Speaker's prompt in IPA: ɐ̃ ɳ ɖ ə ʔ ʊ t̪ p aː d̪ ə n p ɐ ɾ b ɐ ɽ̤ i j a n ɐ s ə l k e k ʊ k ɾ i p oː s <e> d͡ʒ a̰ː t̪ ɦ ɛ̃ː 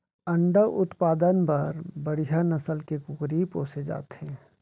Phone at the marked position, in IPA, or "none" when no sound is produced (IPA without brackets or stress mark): e